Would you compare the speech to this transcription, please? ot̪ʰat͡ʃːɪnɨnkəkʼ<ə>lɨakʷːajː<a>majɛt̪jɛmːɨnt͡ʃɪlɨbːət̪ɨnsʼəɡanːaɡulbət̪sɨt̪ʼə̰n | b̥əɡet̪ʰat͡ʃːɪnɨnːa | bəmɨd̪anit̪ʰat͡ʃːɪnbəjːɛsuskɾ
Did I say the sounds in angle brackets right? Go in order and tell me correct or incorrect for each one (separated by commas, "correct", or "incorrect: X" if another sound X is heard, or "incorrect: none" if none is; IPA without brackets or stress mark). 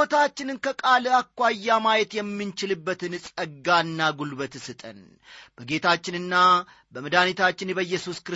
incorrect: a, correct